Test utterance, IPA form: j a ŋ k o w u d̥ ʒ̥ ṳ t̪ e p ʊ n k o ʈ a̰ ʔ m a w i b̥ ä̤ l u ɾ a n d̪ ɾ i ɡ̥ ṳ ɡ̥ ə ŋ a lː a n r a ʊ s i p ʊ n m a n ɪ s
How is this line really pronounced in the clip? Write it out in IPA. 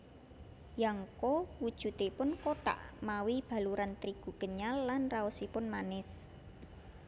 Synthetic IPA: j a ŋ k o w u d̥ ʒ̥ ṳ t̪ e p ʊ n k o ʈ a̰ ʔ m a w i b̥ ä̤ l u ɾ a n t̪ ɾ i ɡ̥ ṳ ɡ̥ ə ɲ a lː a n r a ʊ s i p ʊ n m a n ɪ s